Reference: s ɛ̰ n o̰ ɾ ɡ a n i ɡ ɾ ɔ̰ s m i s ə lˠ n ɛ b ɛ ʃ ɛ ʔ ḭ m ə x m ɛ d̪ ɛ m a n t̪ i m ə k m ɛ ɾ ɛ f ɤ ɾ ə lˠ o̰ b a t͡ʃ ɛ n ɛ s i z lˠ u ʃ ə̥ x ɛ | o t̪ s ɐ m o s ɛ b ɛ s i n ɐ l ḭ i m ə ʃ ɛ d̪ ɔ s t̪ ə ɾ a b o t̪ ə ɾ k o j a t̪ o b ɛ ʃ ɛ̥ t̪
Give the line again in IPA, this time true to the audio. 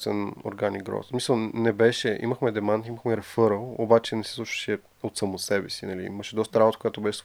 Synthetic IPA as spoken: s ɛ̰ n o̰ ɾ ɡ a n i ɡ ɾ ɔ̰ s m i s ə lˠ n ɛ b ɛ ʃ ɛ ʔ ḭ m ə x m ɛ d̪ ɛ m a n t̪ i m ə x m ɛ ɾ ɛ f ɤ ɾ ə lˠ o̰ b a t͡ʃ ɛ n ɛ s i s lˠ u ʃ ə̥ ʃ ɛ | o t̪ s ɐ m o s ɛ b ɛ s i n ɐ l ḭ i m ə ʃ ɛ d̪ ɔ s t̪ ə ɾ a b o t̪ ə k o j a t̪ o b ɛ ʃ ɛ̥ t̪